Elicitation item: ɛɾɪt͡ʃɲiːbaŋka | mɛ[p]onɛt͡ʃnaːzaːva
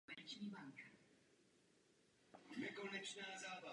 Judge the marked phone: incorrect: k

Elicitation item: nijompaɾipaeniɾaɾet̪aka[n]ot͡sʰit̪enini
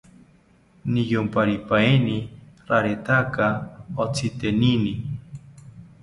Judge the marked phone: incorrect: none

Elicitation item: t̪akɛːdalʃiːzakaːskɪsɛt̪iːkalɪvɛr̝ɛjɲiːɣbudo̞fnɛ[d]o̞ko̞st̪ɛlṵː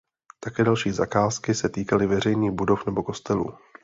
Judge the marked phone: incorrect: b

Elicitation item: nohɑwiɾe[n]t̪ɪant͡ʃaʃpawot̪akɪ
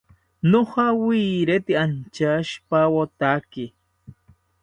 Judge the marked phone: incorrect: none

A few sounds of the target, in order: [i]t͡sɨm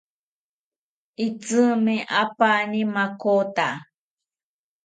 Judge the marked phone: correct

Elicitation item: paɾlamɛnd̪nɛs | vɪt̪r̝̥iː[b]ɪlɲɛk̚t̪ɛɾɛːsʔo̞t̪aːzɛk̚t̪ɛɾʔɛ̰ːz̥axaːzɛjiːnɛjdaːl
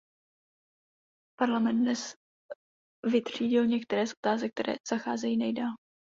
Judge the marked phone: incorrect: ɟ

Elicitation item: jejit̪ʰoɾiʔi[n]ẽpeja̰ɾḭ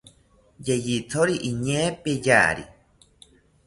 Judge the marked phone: incorrect: ɲ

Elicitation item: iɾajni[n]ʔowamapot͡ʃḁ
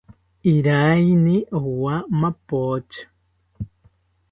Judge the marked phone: incorrect: none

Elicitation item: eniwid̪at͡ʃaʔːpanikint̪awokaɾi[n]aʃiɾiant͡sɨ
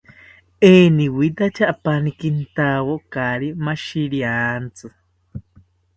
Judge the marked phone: incorrect: m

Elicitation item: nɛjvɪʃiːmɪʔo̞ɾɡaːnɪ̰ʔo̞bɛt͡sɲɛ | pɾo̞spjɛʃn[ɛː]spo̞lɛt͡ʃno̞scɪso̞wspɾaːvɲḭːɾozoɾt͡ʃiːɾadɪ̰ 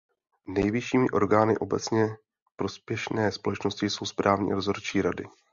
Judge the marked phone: correct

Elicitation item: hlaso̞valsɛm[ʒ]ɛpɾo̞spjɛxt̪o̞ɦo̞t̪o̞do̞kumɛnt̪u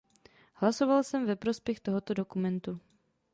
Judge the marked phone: incorrect: v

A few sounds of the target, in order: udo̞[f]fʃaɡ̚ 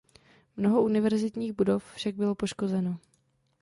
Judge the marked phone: correct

